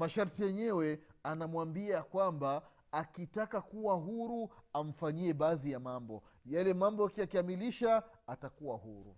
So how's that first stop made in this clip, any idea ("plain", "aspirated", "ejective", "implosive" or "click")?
plain